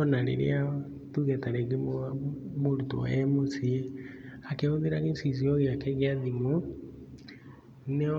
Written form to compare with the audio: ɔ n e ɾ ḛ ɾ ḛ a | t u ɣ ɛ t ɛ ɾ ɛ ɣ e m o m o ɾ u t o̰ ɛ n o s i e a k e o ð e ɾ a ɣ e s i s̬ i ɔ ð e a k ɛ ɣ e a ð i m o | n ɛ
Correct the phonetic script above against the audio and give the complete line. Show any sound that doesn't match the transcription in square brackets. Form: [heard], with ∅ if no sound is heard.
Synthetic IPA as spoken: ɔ n [a] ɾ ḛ ɾ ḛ a | t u ɣ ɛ t [a] ɾ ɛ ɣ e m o m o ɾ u t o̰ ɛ [m] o s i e a k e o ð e ɾ a ɣ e s i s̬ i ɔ [ɣ] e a k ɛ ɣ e a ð i m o | n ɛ